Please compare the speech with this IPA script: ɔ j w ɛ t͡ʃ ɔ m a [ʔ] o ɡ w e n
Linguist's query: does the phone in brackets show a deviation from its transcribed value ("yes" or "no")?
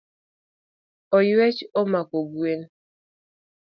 yes